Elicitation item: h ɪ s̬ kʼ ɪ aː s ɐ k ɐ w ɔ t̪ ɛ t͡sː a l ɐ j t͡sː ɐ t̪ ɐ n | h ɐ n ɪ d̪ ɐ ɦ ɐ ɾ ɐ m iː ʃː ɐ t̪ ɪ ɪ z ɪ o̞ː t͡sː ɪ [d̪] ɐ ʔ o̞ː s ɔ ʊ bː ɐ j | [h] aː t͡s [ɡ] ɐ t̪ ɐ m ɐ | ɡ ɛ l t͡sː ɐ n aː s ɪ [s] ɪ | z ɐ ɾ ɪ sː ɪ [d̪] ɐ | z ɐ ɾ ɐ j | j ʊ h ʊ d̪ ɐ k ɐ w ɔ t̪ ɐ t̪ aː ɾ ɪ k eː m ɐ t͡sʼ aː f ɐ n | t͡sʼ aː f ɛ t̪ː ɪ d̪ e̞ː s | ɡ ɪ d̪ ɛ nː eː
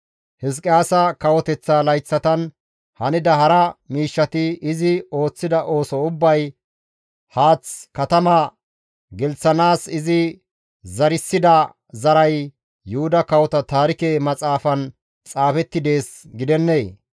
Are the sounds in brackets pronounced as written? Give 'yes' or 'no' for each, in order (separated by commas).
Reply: yes, yes, no, no, yes